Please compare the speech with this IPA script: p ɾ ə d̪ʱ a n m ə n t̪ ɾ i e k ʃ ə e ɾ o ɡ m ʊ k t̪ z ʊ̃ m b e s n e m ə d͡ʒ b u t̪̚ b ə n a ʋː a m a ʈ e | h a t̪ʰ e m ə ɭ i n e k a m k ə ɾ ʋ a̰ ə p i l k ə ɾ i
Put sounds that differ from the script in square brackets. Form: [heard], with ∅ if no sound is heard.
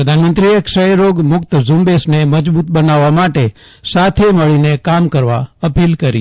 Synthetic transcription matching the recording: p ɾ ə d̪ʱ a n m ə n t̪ ɾ i e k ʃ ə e ɾ o ɡ m ʊ k t̪ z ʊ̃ m b e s n e m ə d͡ʒ b u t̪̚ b ə n a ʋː a m a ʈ e | [s] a t̪ʰ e m ə ɭ i n e k a m k ə ɾ ʋ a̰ ə p i l k ə ɾ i